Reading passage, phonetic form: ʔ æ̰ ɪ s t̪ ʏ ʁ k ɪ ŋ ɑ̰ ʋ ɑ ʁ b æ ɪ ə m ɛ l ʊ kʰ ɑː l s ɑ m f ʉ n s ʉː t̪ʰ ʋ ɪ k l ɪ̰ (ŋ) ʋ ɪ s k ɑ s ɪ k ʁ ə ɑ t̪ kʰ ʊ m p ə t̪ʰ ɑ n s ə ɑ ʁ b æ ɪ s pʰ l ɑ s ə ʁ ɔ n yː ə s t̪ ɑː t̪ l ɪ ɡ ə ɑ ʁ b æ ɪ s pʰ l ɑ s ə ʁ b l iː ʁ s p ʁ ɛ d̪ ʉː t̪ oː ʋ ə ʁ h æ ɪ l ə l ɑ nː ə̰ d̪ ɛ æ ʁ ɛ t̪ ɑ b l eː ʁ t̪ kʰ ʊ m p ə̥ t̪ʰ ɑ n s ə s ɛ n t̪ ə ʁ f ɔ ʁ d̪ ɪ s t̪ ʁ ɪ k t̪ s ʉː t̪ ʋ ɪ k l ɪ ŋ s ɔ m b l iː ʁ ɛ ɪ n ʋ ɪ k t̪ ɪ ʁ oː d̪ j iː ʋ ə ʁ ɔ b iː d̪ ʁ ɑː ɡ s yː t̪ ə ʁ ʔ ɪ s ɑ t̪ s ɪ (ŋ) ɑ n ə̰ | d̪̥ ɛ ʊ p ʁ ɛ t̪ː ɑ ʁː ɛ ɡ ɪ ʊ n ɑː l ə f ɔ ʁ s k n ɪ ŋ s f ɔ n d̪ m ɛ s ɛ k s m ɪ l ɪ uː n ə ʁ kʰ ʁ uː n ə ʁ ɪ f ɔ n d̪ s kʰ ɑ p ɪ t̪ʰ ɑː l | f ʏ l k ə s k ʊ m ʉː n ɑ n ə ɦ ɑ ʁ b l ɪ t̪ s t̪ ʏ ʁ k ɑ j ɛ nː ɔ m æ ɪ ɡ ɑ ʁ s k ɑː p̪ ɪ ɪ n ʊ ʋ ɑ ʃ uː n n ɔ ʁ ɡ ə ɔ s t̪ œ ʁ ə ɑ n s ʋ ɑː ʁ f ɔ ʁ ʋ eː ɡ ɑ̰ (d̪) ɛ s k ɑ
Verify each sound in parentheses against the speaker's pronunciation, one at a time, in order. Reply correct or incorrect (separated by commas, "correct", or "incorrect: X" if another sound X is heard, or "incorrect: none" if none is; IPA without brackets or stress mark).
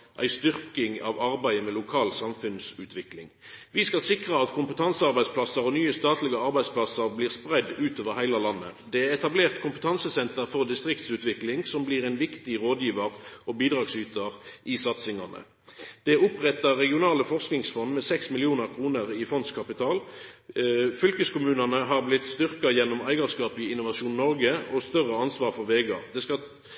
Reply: correct, correct, correct